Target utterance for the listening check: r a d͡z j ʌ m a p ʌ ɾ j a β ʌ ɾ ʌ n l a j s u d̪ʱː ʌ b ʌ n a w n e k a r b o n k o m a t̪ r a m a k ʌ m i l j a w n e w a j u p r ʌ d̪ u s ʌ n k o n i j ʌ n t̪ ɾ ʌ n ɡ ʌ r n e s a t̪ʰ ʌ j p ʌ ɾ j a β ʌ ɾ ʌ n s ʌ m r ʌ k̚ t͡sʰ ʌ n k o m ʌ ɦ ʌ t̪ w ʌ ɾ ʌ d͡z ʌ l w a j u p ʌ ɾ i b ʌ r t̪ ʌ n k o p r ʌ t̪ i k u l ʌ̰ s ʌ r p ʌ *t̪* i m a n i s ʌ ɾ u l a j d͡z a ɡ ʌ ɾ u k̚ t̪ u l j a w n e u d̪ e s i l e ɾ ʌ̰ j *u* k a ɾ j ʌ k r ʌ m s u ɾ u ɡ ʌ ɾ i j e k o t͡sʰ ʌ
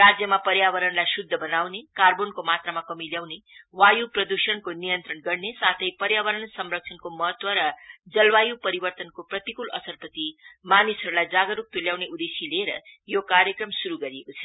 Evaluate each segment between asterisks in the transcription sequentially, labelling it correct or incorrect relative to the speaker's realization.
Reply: correct, incorrect: o

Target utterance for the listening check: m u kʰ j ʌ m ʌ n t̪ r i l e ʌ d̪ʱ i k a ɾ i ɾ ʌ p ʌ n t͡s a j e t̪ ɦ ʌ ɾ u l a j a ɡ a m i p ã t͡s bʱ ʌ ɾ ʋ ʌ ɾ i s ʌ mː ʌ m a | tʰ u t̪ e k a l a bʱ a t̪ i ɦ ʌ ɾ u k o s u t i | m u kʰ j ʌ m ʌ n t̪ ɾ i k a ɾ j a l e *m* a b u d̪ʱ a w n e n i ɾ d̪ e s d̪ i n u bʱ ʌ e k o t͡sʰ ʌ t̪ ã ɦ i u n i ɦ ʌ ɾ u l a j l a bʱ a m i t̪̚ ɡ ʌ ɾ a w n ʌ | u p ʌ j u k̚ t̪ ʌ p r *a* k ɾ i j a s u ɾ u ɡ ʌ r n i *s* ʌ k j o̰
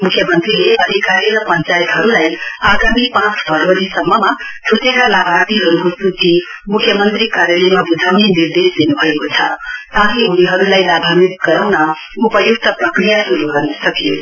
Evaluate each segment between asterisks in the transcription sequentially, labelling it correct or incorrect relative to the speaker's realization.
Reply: correct, incorrect: ʌ, correct

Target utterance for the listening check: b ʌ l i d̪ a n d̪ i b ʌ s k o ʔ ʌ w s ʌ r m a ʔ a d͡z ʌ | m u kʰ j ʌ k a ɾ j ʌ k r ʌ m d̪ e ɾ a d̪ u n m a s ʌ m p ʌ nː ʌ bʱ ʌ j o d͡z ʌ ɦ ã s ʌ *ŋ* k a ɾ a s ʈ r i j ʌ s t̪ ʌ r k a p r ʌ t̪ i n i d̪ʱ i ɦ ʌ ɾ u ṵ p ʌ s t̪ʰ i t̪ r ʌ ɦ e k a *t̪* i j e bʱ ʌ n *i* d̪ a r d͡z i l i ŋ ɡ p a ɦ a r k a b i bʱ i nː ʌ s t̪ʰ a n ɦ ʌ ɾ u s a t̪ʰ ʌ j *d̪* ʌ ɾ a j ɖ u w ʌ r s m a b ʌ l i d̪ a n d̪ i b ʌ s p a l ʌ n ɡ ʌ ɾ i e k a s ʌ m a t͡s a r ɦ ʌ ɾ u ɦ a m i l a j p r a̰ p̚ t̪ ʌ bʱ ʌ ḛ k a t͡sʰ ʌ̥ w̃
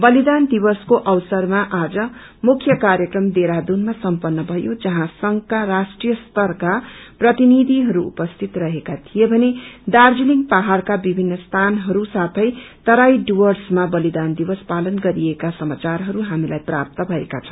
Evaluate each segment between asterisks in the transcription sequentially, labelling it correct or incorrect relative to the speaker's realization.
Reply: correct, incorrect: t̪ʰ, incorrect: e, incorrect: t̪

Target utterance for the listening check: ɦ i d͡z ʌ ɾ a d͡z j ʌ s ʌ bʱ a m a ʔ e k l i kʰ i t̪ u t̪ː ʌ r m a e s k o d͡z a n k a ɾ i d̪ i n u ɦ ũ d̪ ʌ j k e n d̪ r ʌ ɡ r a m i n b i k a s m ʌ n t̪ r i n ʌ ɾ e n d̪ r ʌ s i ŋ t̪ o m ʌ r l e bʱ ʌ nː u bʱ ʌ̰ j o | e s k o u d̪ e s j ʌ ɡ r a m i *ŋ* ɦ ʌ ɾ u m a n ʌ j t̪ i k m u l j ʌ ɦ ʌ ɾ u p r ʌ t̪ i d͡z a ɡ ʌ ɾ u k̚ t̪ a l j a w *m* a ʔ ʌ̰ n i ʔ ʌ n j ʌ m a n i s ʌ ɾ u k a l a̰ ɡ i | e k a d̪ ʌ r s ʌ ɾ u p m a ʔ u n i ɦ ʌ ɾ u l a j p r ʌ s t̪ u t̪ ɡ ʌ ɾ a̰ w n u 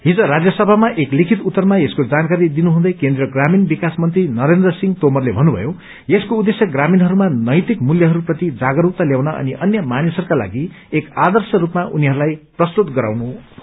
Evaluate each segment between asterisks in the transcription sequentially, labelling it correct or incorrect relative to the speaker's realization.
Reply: incorrect: n, incorrect: n

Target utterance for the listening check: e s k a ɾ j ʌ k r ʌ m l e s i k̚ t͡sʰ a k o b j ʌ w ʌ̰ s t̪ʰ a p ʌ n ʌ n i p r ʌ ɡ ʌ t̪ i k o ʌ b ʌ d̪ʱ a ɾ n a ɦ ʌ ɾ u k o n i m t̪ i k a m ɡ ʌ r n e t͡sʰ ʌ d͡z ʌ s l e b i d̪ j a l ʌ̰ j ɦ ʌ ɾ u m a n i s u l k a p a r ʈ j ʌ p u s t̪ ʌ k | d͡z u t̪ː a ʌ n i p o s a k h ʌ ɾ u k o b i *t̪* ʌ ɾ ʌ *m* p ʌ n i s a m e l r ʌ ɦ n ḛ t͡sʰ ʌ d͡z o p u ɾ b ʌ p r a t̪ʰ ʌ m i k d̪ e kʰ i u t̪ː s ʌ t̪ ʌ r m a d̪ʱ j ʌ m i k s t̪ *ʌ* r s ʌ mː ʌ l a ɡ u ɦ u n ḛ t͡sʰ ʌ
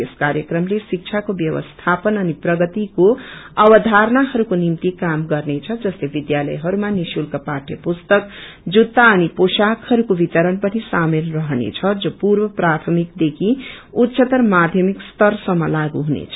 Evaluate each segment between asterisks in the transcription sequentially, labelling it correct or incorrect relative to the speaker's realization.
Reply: correct, incorrect: n, correct

